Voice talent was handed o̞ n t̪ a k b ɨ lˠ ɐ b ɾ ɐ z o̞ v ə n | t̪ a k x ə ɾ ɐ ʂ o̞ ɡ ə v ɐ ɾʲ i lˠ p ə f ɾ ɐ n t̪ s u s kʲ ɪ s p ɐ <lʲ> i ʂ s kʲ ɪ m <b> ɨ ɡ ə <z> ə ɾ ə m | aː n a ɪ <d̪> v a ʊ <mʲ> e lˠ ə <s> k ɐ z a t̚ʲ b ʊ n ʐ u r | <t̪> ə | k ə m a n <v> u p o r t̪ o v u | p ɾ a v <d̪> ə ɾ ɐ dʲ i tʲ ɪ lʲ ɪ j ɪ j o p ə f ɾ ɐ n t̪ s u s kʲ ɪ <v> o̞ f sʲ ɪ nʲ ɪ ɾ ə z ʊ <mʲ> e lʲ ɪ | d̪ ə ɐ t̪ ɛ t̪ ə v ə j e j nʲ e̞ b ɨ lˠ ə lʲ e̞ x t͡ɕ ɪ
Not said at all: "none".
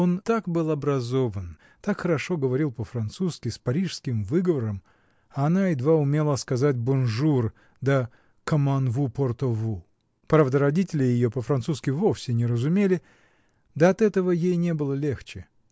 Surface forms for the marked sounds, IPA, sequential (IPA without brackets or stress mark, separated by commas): ɾʲ, v, v, d̪, mʲ, s, d̪, v, d̪, v, mʲ